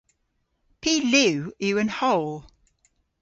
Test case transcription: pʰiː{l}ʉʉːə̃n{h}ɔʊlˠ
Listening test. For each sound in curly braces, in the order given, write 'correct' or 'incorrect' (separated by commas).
correct, correct